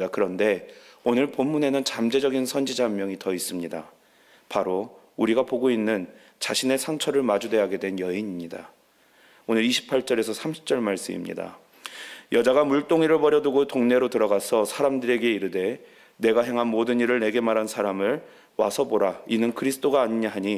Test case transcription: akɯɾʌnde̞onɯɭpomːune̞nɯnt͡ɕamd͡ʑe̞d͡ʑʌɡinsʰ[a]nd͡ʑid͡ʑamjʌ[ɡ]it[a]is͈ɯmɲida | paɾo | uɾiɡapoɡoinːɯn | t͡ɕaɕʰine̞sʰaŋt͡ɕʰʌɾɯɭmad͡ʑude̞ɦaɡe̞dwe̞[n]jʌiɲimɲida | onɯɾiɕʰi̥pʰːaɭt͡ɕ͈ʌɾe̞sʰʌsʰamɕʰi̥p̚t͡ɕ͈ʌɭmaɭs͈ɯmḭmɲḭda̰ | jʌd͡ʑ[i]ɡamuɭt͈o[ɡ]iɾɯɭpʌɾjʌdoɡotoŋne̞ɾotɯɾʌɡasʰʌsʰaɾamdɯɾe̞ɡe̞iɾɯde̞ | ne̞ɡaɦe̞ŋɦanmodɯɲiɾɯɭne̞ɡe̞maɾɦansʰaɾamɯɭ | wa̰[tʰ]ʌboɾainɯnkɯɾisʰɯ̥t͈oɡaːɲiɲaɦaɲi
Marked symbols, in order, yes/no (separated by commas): no, no, no, yes, no, no, no